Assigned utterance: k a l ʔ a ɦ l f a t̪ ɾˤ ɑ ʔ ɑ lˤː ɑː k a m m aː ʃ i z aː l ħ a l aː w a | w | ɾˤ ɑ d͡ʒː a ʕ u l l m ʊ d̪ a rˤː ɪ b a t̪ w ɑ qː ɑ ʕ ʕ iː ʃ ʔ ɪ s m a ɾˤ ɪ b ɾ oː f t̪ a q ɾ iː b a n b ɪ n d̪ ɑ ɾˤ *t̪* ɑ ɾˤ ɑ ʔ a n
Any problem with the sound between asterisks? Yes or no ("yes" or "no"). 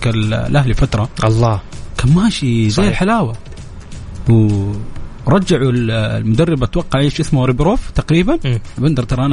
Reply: no